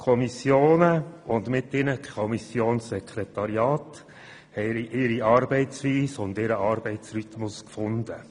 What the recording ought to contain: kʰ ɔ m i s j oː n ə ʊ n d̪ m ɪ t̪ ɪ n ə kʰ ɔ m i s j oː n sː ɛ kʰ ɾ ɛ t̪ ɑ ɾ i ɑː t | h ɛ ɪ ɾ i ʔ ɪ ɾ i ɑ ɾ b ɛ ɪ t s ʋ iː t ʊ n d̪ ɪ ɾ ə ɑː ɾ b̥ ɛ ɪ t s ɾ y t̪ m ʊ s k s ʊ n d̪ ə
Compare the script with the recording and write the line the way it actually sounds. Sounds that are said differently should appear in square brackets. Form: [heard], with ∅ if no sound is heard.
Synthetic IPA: kʰ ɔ m i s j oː n ə ʊ n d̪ m ɪ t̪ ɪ n ə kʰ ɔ m i s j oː n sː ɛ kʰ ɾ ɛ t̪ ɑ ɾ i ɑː t | h ɛ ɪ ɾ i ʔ ɪ ɾ i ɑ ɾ b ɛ ɪ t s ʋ iː [s] ʊ n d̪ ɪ ɾ ə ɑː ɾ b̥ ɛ ɪ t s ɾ y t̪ m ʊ s k [f] ʊ n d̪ ə